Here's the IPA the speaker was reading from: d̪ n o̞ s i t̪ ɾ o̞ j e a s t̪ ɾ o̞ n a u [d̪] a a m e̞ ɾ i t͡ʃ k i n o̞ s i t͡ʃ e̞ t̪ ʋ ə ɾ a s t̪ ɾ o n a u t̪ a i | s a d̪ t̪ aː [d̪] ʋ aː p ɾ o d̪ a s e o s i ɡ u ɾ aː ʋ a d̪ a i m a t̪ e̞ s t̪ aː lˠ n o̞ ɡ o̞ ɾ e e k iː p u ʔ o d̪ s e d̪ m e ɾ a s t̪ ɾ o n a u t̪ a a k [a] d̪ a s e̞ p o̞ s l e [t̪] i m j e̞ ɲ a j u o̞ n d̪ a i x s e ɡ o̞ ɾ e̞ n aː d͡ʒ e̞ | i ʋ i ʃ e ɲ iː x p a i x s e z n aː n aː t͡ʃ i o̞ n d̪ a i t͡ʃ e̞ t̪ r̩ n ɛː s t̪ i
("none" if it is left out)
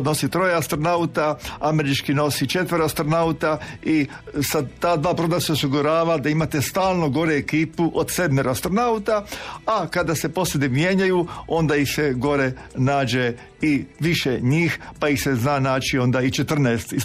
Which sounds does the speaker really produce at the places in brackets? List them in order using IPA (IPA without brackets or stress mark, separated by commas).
t̪, d̪, a, d̪